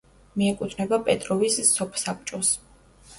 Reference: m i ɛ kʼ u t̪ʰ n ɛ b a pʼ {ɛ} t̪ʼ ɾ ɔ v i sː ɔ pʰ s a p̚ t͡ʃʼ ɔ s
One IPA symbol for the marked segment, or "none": ɛ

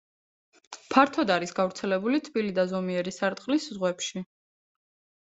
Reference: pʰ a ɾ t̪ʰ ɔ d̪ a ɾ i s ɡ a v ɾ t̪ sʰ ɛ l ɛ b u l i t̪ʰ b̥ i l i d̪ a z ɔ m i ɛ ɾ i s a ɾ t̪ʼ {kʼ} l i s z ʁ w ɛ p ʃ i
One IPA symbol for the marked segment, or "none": qʼ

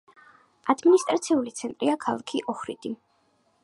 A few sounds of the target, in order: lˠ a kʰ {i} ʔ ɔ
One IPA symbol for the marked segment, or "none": i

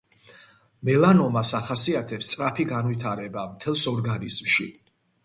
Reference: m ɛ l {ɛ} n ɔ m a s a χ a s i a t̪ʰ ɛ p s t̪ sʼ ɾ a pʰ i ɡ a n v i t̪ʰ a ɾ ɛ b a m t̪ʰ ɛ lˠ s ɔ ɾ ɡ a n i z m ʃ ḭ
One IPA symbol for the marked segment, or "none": a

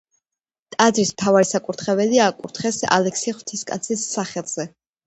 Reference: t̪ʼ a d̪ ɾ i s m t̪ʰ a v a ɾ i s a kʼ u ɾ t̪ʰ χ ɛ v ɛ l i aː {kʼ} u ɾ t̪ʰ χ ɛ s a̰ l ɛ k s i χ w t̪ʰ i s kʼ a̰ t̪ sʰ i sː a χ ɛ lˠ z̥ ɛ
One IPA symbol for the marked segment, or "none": kʼ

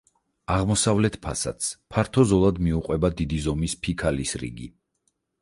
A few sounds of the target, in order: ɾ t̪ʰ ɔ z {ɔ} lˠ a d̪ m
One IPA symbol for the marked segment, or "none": ɔ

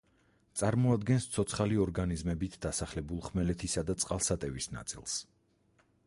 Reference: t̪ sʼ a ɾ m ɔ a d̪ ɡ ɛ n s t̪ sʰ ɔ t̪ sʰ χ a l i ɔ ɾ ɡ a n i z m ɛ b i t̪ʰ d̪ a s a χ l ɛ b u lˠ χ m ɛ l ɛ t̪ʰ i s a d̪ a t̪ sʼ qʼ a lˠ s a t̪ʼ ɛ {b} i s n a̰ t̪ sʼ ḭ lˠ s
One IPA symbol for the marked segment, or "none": v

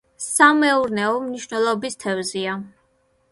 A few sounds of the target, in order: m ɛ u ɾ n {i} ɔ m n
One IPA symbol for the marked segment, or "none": ɛ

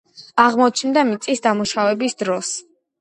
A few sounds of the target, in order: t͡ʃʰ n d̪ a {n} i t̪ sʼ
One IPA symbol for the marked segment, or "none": m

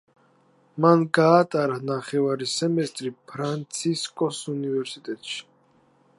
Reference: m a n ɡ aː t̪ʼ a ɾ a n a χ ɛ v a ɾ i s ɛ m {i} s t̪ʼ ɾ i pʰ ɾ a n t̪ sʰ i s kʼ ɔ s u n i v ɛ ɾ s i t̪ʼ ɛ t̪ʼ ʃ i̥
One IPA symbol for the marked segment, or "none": ɛ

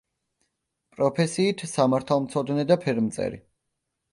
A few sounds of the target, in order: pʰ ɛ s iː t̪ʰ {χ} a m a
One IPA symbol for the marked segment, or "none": s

